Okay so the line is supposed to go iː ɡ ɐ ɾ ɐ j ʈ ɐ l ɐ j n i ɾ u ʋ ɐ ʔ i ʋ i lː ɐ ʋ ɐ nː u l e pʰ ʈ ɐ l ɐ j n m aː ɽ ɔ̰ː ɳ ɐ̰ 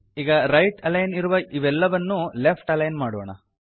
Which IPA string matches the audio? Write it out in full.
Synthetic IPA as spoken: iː ɡ ɐ ɾ ɐ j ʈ ɐ l ɐ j n i ɾ u ʋ ɐ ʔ i ʋ ɛ lː ɐ ʋ ɐ nː u l e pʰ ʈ ɐ l ɐ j n m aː ɽ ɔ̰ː ɳ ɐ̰